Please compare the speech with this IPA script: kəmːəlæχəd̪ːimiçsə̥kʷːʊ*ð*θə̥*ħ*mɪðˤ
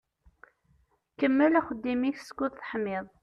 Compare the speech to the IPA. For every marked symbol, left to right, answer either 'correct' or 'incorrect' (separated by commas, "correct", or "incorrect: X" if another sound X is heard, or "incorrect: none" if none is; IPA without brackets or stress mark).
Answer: correct, correct